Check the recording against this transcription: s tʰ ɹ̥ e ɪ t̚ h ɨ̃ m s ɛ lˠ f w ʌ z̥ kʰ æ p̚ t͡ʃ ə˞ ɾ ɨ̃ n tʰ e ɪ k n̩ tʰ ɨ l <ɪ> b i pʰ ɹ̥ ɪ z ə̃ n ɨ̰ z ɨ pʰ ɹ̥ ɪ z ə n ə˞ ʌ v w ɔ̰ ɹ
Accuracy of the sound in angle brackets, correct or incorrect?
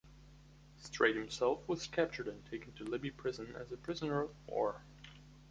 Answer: correct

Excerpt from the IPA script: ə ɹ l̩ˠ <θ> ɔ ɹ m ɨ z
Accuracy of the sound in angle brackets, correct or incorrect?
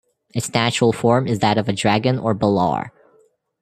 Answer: incorrect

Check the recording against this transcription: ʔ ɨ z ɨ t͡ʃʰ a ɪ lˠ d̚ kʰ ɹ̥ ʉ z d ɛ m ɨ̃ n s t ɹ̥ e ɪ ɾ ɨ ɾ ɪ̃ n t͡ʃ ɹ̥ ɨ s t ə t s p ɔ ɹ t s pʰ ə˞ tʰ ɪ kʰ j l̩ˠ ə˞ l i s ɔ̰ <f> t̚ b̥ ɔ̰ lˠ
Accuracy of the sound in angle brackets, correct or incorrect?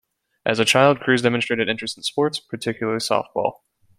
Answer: correct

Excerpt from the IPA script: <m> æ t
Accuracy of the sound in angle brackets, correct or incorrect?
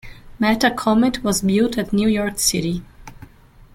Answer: correct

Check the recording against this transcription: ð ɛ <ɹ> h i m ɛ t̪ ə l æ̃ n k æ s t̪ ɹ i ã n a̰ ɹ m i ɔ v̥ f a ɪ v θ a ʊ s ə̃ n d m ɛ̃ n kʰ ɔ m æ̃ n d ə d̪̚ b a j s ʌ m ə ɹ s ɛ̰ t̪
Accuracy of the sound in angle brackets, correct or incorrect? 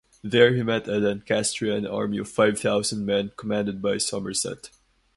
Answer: correct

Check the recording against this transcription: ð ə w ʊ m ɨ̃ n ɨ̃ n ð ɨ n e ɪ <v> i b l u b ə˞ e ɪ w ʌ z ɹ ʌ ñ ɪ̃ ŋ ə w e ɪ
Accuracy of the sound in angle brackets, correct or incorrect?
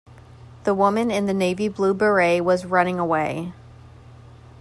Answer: correct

